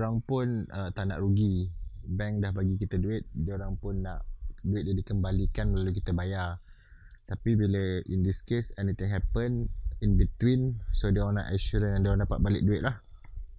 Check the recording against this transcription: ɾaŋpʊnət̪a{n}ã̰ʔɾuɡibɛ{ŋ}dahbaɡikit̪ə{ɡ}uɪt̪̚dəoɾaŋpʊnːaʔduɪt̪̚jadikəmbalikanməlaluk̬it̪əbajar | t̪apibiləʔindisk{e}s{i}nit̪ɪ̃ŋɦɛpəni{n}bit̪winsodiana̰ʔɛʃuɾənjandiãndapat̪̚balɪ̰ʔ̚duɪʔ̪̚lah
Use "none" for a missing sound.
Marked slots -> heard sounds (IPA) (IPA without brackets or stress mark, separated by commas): n, ŋ, d, e, ɛ, n